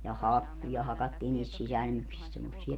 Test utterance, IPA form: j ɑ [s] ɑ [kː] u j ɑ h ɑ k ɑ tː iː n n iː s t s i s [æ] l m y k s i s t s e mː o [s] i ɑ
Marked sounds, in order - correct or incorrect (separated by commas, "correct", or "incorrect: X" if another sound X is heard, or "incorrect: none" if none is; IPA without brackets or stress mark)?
incorrect: h, correct, correct, incorrect: sː